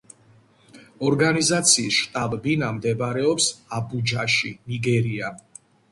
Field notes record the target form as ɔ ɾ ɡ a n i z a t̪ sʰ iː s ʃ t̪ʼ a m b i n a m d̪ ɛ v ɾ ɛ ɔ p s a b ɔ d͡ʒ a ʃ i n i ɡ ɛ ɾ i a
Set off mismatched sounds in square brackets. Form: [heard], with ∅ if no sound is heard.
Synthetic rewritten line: ɔ ɾ ɡ a n i z a t̪ sʰ iː s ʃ t̪ʼ a [b] b i n a m d̪ ɛ [b] ɾ ɛ ɔ p s a b [u] d͡ʒ a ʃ i n i ɡ ɛ ɾ i a